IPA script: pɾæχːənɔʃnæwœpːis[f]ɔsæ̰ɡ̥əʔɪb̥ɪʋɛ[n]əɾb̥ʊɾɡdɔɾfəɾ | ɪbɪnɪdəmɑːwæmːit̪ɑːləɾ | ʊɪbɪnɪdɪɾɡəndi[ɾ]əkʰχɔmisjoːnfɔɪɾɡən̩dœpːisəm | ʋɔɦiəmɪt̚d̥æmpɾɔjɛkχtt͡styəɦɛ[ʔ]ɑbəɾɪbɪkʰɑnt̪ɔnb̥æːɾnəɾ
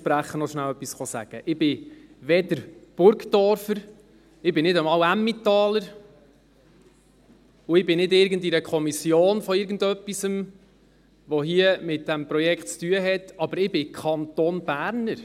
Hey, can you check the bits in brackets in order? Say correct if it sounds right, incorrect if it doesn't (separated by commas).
incorrect, incorrect, correct, incorrect